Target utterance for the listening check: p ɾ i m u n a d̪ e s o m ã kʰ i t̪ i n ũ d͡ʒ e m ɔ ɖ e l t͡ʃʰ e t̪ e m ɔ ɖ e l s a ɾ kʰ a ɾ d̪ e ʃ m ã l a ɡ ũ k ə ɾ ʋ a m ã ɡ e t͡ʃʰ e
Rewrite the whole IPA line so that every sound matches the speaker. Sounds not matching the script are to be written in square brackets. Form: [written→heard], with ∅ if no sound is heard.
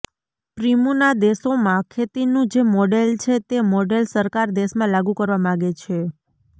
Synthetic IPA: p ɾ i m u n a d̪ e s o m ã kʰ [i→e] t̪ i n ũ d͡ʒ e m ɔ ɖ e l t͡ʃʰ e t̪ e m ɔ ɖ e l s [a→ə] ɾ [kʰ→k] a ɾ d̪ e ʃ m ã l a ɡ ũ k ə ɾ ʋ a m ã ɡ e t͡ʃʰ e